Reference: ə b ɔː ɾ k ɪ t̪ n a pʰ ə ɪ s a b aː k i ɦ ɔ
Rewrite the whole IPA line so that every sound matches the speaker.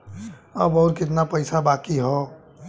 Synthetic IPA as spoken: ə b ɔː ɾ k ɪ t̪ n a p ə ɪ s a b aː k i ɦ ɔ